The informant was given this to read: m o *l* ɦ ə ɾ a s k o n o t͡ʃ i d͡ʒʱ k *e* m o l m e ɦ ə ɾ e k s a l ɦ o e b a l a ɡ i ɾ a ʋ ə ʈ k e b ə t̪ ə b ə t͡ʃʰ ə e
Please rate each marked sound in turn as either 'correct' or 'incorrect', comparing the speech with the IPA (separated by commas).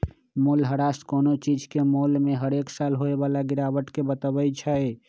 correct, correct